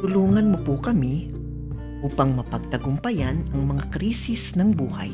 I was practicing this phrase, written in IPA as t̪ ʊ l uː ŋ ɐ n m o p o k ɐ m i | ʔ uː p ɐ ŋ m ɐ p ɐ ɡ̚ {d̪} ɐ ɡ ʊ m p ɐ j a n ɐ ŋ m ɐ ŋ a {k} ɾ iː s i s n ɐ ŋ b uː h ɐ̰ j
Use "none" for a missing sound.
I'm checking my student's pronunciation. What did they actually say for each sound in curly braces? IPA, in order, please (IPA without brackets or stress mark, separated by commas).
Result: t̪, k